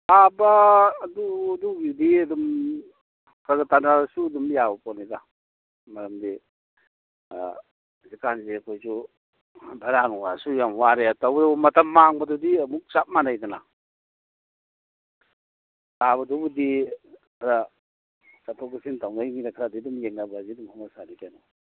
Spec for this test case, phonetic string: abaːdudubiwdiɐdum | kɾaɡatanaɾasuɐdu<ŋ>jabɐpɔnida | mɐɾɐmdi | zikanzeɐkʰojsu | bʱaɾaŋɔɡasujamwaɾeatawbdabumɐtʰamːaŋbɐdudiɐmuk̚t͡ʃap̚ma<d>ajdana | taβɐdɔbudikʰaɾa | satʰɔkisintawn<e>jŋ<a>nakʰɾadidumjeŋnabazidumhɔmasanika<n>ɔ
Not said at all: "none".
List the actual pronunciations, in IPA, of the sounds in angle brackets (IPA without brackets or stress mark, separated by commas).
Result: m, n, a, i, n